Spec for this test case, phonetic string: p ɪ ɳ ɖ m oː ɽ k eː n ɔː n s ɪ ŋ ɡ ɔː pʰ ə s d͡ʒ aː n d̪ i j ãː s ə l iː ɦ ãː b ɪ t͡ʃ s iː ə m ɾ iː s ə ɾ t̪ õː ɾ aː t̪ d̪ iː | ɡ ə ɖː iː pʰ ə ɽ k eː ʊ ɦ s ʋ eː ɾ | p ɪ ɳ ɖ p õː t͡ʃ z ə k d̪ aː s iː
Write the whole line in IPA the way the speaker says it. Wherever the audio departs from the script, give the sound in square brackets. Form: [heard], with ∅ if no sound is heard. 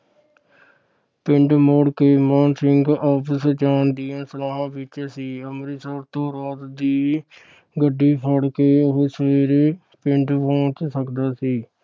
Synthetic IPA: p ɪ ɳ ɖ m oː ɽ k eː [m] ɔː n s ɪ ŋ ɡ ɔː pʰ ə s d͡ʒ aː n d̪ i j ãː s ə l [aː] ɦ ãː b ɪ t͡ʃ s iː ə m ɾ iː s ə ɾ t̪ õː ɾ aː t̪ d̪ iː | ɡ ə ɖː iː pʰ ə ɽ k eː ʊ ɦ s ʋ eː ɾ | p ɪ ɳ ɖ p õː t͡ʃ [s] ə k d̪ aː s iː